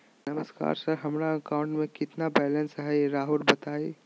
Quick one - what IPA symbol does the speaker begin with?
n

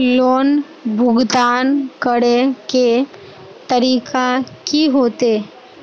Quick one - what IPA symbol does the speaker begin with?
l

